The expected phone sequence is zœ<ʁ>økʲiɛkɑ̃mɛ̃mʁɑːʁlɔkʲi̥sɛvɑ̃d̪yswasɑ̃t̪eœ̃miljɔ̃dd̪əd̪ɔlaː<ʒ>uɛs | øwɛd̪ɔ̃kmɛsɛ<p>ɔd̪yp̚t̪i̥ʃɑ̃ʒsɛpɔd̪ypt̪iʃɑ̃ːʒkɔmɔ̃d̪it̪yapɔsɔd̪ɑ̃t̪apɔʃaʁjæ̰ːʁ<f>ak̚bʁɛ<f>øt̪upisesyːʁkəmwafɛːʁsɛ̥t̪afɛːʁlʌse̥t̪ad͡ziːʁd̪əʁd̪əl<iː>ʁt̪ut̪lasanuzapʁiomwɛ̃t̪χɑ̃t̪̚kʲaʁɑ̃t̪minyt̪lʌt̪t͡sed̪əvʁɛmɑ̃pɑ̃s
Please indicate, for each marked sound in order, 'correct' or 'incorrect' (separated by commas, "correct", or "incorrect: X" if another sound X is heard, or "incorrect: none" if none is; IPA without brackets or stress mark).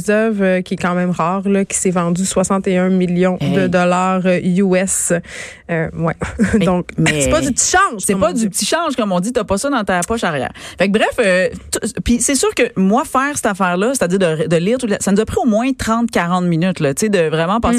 incorrect: v, incorrect: ʁ, correct, correct, correct, correct